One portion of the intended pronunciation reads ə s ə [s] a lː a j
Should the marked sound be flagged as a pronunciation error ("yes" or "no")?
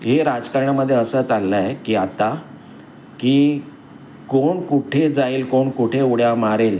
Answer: yes